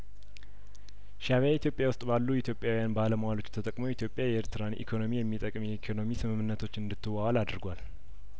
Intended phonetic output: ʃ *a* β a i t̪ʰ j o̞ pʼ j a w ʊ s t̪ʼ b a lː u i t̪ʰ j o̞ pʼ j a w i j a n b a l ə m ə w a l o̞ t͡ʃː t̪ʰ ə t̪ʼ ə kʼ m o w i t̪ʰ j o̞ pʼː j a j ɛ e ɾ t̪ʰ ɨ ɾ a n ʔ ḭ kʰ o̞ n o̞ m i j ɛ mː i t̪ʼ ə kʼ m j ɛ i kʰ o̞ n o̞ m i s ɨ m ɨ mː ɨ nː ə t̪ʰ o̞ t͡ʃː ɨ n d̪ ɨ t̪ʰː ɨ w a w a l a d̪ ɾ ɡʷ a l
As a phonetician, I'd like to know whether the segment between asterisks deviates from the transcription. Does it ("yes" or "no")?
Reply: no